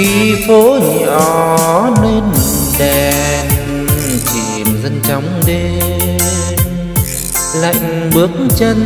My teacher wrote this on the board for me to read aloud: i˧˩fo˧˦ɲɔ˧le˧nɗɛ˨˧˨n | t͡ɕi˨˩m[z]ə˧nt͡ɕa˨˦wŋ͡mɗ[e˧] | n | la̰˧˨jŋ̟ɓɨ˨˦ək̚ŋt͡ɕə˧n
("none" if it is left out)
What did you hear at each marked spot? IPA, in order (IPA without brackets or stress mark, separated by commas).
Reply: z, e˧